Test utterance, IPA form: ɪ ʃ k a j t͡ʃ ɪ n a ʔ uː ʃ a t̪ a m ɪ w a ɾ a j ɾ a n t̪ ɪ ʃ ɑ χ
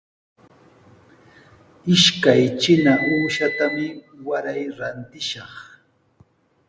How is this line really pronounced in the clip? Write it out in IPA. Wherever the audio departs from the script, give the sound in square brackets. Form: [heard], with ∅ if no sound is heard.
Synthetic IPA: ɪ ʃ k a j t͡ʃ ɪ n a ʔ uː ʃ a t̪ a m ɪ w a ɾ a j ɾ a n t̪ ɪ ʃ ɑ χ